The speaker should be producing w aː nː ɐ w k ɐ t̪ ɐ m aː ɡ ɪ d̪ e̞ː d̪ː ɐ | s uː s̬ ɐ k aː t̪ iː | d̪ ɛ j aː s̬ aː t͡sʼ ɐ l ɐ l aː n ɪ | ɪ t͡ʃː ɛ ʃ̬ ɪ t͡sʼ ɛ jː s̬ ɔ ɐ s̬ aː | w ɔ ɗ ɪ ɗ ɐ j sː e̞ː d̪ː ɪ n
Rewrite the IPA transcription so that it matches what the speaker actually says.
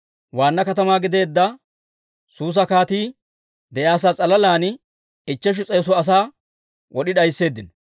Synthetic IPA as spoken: w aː nː ɐ k ɐ t̪ ɐ m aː ɡ ɪ d̪ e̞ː d̪ː ɐ | s uː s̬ ɐ k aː t̪ iː | d̪ ɛ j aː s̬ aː t͡sʼ ɐ l ɐ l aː n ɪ | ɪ t͡ʃː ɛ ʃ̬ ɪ t͡sʼ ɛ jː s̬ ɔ ɐ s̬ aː | w ɔ ɗ ɪ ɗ ɐ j sː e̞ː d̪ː ɪ n

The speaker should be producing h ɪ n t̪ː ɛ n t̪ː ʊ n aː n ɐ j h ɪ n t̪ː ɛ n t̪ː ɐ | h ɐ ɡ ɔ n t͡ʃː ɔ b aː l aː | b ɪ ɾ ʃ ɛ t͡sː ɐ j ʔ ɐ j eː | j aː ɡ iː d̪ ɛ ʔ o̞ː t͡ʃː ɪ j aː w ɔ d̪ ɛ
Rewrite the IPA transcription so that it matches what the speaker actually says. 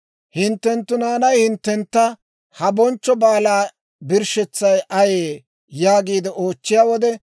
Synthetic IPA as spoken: h ɪ n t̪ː ɛ n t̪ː ʊ n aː n ɐ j h ɪ n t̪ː ɛ n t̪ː ɐ | h ɐ b ɔ n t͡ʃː ɔ b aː l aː | b ɪ ɾ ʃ ɛ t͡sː ɐ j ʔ ɐ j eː | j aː ɡ iː d̪ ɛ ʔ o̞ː t͡ʃː ɪ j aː w ɔ d̪ ɛ

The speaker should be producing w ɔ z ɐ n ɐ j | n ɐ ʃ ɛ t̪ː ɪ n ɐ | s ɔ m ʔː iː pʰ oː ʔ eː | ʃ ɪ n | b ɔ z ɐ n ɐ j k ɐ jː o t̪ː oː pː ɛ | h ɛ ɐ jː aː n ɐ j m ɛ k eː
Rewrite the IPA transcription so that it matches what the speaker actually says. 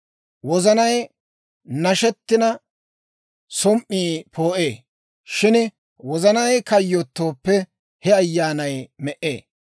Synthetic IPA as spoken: w ɔ z ɐ n ɐ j | n ɐ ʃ ɛ t̪ː ɪ n ɐ | s ɔ m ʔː iː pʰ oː ʔ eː | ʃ ɪ n | w ɔ z ɐ n ɐ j k ɐ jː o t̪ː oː pː ɛ | h ɛ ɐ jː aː n ɐ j m ɛ ʔ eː

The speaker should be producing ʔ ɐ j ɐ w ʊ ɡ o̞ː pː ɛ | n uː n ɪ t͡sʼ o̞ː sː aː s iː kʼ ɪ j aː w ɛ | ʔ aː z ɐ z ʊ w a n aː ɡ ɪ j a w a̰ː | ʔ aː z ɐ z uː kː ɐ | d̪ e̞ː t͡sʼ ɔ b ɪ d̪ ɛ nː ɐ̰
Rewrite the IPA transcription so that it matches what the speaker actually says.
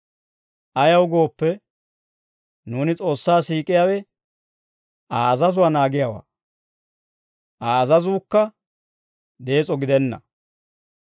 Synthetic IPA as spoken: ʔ ɐ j ɐ w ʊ ɡ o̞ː pː ɛ | n uː n ɪ t͡sʼ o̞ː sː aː s iː kʼ ɪ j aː w ɛ | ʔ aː z ɐ z ʊ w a n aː ɡ ɪ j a w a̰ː | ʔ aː z ɐ z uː kː ɐ | d̪ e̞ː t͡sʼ ɔ ɡ ɪ d̪ ɛ nː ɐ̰

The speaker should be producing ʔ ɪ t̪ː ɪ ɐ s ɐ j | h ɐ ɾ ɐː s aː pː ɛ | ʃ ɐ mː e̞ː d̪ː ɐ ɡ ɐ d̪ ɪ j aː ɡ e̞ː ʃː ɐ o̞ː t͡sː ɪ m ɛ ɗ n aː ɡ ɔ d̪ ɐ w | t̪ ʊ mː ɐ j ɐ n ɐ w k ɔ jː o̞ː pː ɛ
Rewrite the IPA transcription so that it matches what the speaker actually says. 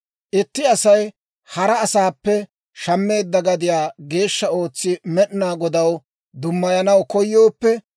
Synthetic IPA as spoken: ʔ ɪ t̪ː ɪ ɐ s ɐ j | h ɐ ɾ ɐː s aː pː ɛ | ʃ ɐ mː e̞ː d̪ː ɐ ɡ ɐ d̪ ɪ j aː ɡ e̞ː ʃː ɐ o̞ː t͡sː ɪ m ɛ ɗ n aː ɡ ɔ d̪ ɐ w | d̪ ʊ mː ɐ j ɐ n ɐ w k ɔ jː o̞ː pː ɛ

